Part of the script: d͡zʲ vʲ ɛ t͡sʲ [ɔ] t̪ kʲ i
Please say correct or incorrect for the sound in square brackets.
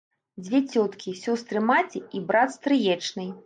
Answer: correct